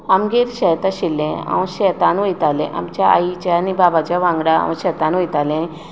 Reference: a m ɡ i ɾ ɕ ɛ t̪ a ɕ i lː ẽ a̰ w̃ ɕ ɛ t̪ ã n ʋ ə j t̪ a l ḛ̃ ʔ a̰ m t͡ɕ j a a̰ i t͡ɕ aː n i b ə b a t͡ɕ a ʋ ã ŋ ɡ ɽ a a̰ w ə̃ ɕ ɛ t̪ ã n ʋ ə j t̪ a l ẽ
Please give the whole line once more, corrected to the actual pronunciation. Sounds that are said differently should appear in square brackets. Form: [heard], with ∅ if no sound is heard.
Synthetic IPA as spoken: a m ɡ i ɾ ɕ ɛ t̪ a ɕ i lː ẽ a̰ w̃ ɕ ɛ t̪ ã n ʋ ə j t̪ a l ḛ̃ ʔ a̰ m t͡ɕ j a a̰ i t͡ɕ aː n i b [a] b a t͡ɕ a ʋ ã ŋ ɡ ɽ a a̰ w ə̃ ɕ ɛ t̪ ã n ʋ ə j t̪ a l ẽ